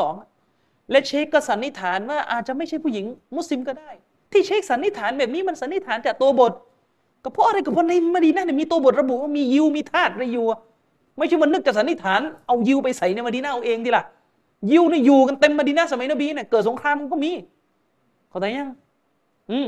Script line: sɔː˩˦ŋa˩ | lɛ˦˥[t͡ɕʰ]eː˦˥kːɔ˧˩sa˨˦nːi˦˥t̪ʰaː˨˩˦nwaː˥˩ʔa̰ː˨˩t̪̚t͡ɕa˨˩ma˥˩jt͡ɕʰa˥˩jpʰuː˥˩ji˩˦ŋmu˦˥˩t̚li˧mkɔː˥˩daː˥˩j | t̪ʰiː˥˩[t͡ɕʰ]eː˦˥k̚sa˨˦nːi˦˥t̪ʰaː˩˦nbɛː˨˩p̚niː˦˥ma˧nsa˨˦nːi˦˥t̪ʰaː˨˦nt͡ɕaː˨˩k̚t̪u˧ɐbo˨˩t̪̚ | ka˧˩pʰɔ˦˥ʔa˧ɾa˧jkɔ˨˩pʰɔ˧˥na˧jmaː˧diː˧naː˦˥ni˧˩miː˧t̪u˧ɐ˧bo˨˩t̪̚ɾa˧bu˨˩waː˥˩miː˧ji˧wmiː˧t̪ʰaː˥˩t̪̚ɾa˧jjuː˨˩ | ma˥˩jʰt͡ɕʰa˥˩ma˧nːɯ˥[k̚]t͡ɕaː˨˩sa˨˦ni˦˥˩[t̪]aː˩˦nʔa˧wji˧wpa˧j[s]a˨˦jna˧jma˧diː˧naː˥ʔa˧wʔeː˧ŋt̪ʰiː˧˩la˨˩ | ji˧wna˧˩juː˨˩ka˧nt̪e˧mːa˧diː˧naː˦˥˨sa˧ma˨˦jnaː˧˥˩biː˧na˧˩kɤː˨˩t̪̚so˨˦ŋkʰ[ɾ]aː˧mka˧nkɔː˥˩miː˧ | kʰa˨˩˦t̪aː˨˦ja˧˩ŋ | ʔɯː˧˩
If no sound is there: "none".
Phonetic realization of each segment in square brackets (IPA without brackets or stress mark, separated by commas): t͡ɕʰ, t͡ɕʰ, k̚, t̪ʰ, s, ɾ